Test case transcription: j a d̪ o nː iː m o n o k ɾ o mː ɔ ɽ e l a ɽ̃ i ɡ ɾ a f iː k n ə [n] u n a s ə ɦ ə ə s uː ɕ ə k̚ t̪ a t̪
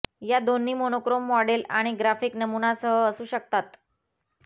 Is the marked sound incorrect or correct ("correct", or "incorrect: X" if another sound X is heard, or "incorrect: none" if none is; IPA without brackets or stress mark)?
incorrect: m